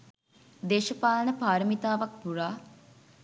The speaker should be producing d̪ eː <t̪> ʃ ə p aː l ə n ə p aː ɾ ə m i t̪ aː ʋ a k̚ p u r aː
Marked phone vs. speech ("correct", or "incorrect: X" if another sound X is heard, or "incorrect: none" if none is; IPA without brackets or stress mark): incorrect: none